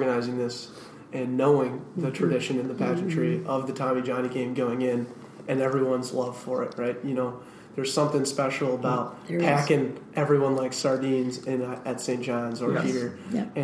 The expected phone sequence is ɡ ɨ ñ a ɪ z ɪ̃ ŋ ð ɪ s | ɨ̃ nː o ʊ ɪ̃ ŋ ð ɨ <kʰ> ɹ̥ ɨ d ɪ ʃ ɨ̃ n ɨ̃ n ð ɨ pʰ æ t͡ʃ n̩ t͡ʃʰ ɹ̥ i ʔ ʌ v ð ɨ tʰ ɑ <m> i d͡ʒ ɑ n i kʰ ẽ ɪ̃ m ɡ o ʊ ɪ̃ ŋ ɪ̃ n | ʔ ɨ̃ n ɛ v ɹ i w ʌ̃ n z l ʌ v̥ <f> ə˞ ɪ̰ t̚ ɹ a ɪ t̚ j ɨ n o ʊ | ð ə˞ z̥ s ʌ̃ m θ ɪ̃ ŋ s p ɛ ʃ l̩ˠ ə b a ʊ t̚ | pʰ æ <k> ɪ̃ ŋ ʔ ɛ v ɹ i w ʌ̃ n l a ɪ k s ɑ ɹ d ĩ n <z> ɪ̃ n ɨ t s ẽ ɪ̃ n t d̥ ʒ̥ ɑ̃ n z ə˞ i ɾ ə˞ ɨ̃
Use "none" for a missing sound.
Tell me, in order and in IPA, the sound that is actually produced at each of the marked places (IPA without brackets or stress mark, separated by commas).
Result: tʰ, m, f, k, z